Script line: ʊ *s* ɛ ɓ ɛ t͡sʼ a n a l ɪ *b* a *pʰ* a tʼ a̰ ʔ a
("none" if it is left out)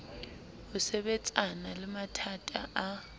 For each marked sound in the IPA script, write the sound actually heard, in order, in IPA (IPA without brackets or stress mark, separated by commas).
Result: s, m, tʰ